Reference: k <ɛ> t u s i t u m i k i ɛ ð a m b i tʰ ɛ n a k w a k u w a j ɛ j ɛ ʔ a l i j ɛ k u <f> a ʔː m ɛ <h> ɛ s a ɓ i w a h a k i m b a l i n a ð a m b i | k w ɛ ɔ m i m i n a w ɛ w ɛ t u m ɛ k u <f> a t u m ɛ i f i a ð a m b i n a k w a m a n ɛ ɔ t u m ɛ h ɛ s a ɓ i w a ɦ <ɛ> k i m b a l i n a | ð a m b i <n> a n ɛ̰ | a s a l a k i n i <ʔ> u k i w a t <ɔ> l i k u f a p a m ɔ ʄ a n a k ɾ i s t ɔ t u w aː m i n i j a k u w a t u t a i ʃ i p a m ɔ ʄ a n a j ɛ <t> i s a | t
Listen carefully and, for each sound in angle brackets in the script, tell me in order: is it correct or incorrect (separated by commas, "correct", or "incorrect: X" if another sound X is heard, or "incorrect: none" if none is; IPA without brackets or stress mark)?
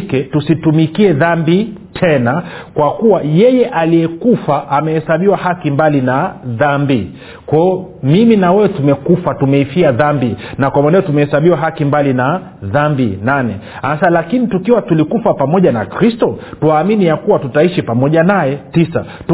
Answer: correct, correct, correct, correct, incorrect: a, correct, incorrect: t, incorrect: u, correct